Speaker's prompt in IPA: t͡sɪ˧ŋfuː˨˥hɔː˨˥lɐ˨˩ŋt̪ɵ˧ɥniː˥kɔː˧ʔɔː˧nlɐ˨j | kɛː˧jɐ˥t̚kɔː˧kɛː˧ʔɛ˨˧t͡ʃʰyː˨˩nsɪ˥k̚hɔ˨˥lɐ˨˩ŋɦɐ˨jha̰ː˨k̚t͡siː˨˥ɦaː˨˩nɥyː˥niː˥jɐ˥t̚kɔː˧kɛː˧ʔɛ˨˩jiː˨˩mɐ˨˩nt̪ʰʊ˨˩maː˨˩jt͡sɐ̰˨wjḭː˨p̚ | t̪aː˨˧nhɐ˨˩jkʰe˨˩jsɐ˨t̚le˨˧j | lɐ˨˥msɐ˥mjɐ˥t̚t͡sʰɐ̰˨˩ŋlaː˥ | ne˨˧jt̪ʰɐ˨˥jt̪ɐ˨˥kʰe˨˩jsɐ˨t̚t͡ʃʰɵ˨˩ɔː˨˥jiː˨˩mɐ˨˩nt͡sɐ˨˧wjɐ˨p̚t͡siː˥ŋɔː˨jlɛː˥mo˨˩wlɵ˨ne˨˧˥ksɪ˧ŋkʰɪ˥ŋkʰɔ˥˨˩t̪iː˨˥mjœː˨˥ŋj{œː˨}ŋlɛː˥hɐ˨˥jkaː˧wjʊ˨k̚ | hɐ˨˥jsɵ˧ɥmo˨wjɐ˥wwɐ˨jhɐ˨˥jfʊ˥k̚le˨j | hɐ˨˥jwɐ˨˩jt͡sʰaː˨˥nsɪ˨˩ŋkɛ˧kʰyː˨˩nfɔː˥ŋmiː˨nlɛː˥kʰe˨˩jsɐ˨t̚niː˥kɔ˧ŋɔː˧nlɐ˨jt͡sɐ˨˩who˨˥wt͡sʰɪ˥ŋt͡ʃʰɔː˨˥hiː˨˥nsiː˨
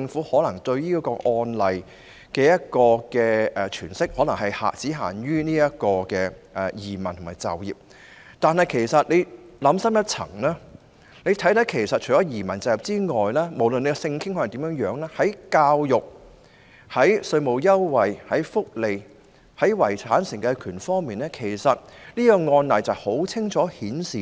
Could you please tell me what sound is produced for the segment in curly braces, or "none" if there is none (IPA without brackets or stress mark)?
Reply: œː˨˥